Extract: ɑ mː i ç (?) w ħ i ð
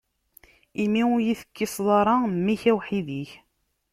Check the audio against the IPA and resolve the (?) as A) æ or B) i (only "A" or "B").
A